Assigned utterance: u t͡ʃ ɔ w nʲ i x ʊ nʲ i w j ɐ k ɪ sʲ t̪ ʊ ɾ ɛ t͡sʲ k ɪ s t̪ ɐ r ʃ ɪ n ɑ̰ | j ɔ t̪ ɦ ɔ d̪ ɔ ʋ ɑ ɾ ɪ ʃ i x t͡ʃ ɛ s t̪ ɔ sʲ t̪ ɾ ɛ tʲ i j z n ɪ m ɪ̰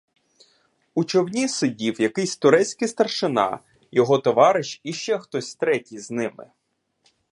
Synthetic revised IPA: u t͡ʃ ɔ w nʲ i s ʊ dʲ i w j ɐ k ɪ sʲ t̪ ʊ ɾ ɛ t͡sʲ k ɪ s t̪ ɐ r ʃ ɪ n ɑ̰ | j ɔ ɦ ɔ t̪ ɔ ʋ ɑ ɾ ɪ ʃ i ʃ t͡ʃ ɛ x t̪ ɔ sʲ t̪ ɾ ɛ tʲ i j z n ɪ m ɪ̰